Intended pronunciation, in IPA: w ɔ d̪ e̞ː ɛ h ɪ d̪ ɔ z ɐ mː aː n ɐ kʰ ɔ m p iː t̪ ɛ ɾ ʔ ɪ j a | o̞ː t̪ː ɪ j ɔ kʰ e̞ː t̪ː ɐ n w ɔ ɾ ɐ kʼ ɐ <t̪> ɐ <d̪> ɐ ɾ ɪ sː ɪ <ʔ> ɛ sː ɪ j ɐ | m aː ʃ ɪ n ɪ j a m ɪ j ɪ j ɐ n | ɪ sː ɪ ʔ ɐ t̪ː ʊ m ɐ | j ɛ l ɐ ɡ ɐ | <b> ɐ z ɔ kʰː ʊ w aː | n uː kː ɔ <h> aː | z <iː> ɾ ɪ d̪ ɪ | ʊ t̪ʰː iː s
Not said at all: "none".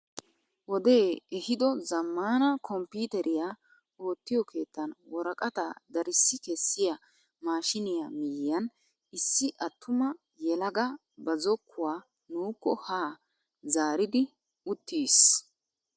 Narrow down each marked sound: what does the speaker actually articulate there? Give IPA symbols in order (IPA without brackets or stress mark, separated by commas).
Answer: t̪, d̪, k, b, h, aː